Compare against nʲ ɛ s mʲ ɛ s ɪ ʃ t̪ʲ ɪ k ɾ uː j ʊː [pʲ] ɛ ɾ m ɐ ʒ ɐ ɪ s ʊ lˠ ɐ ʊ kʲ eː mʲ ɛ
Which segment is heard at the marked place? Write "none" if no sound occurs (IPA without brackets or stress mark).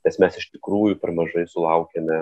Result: pʲ